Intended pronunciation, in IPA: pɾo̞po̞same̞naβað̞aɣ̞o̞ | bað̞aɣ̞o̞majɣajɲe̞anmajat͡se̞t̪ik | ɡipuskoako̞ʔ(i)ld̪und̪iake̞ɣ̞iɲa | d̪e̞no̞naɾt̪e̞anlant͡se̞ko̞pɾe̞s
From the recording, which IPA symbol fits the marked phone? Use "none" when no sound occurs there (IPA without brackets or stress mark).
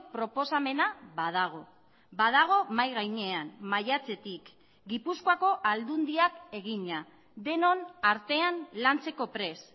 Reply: a